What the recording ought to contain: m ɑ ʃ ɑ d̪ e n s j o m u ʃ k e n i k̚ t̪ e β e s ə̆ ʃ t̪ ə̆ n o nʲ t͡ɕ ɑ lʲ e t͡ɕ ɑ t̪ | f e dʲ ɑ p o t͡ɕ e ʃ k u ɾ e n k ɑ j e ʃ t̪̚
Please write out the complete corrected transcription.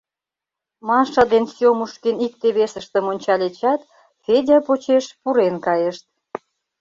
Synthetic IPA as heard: m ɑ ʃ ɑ d̪ e n s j o m u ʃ k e n i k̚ t̪ e β e s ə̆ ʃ t̪ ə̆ m o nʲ t͡ɕ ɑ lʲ e t͡ɕ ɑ t̪ | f e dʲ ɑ p o t͡ɕ e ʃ p u ɾ e n k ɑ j e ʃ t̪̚